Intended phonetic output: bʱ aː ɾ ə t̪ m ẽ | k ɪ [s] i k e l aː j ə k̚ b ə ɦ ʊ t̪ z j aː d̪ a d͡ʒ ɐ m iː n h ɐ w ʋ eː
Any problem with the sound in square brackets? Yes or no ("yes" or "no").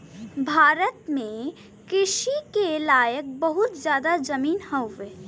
yes